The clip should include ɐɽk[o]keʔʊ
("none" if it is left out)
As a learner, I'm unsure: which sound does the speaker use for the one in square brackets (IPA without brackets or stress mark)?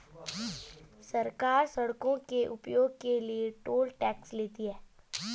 õ